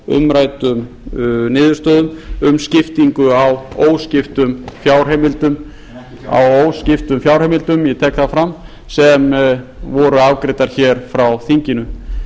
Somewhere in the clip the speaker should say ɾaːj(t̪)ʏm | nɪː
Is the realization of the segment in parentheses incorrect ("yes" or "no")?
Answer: no